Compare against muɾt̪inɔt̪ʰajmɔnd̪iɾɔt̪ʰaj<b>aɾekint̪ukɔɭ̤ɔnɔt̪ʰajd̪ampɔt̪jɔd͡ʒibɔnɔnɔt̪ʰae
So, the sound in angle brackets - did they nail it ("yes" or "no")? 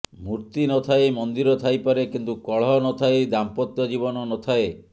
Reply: no